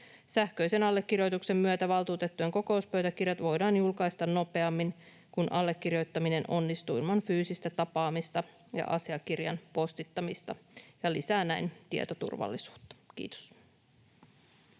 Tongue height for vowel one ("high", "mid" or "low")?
low